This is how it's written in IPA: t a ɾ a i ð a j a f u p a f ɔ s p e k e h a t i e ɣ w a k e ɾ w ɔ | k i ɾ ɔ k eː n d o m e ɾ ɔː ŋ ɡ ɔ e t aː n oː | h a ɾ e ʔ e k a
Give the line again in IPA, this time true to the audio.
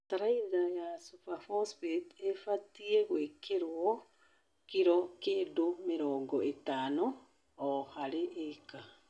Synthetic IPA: t a ɾ a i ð a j a s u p a f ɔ s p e t e f a t i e ɣ w e k e ɾ w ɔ | k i ɾ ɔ k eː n d o m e ɾ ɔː ŋ ɡ ɔ e t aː n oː | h a ɾ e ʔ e k a